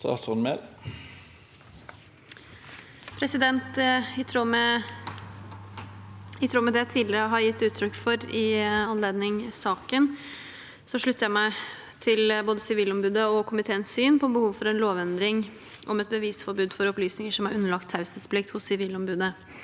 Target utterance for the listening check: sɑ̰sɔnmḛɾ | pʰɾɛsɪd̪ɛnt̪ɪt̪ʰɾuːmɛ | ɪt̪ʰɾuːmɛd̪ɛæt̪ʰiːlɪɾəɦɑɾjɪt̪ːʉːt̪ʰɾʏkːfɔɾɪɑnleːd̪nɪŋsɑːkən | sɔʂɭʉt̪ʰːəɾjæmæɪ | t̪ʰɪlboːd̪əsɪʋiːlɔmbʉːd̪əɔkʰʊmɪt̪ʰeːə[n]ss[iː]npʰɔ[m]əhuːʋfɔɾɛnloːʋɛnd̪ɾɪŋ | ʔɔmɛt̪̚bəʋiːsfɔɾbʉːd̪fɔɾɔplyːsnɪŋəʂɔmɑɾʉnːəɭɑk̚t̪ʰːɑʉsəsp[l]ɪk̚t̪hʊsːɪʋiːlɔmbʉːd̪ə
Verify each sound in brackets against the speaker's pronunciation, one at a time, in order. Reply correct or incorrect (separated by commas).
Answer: correct, incorrect, incorrect, correct